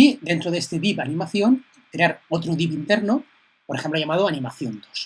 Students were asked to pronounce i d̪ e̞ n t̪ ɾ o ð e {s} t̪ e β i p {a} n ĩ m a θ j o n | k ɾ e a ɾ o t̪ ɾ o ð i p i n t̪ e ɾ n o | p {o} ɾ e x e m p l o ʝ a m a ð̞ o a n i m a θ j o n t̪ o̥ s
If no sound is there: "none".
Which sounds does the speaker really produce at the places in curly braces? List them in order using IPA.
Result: s, a, o

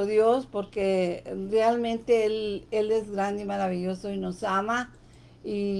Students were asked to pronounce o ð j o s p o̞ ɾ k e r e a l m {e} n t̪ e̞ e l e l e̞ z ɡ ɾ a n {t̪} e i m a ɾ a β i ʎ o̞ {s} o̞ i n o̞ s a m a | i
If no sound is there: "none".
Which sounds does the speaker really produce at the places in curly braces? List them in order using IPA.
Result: ẽ, d̪, s

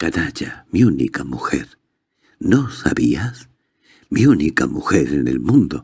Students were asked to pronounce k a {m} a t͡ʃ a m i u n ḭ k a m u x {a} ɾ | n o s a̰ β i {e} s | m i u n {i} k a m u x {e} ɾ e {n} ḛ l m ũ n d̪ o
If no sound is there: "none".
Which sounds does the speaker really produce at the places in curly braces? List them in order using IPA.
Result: n, e, a, i, e, n

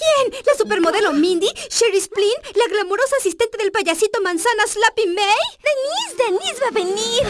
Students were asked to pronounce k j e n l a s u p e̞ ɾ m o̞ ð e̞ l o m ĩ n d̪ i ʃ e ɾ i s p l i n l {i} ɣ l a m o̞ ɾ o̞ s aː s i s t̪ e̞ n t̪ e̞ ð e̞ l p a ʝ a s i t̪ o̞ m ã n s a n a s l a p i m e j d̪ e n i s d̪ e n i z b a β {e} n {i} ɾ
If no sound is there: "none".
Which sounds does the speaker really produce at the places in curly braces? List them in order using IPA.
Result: a, e, i

